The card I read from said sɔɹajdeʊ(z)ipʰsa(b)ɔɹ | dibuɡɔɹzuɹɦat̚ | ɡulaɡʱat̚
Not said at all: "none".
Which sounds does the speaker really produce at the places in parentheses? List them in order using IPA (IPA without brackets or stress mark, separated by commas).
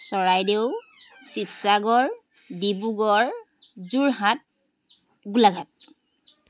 s, ɡ